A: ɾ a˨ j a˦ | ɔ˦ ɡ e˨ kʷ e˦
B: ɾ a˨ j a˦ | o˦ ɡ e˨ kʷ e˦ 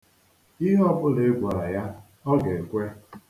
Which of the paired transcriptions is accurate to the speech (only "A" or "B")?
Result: A